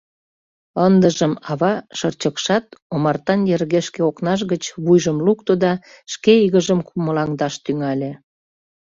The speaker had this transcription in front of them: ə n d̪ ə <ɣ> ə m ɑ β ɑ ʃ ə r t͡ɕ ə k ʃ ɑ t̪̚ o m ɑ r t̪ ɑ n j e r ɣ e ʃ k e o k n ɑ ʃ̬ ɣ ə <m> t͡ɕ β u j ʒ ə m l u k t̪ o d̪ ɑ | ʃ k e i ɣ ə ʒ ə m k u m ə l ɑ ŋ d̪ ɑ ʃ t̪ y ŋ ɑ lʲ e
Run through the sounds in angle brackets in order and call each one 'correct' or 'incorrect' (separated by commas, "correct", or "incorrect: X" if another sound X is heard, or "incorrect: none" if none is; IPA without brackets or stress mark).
incorrect: ʒ, incorrect: none